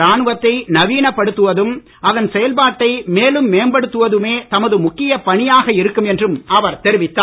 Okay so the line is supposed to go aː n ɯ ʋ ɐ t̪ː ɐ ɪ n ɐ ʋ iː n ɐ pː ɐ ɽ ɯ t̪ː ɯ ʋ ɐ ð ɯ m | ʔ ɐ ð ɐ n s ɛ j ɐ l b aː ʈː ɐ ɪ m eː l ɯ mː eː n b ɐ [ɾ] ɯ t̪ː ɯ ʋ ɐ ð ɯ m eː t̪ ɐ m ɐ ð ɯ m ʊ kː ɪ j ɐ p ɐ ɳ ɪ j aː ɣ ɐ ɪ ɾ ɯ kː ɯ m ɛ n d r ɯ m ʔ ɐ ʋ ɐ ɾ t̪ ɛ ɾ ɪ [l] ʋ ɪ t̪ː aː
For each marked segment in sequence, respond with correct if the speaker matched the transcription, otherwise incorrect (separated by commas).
incorrect, incorrect